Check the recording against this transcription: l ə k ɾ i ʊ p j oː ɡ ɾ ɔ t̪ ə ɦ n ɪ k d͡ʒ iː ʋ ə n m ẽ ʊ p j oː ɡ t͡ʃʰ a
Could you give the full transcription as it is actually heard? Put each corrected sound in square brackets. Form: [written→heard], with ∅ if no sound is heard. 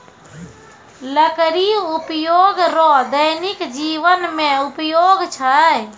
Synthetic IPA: l ə k ɾ i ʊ p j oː ɡ ɾ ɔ [t̪→d̪] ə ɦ n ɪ k d͡ʒ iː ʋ ə n m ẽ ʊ p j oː ɡ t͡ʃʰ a